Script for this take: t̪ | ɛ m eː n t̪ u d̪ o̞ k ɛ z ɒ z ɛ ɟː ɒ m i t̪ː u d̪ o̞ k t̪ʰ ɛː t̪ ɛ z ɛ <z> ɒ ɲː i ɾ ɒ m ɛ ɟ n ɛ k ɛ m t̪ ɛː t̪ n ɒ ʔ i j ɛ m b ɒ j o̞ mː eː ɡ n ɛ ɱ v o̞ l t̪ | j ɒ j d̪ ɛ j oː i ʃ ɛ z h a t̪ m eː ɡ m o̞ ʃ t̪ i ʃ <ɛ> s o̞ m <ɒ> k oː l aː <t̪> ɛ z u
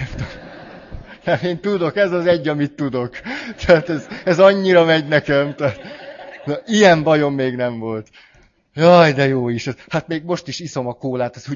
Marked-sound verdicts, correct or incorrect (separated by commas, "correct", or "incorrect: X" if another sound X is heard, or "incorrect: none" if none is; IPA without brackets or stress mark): correct, incorrect: i, correct, correct